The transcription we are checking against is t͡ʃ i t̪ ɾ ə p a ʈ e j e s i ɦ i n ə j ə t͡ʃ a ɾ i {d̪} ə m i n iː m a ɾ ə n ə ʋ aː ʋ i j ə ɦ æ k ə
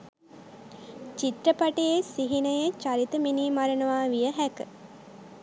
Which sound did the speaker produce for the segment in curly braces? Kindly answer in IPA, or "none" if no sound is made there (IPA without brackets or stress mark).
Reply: t̪